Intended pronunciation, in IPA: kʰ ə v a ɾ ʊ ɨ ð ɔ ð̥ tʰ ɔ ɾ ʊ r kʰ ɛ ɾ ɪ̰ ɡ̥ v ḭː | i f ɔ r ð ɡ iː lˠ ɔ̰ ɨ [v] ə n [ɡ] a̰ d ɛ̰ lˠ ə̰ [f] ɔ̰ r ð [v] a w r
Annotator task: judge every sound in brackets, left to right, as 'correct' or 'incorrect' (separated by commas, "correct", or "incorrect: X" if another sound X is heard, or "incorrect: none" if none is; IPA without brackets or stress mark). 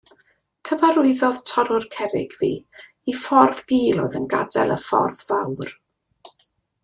incorrect: ð, correct, correct, correct